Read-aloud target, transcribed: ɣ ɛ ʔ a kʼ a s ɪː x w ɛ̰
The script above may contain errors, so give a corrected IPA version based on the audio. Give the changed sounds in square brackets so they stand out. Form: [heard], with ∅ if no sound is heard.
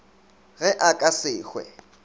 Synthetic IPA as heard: ɣ ɛ ʔ a kʼ a s ɪː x w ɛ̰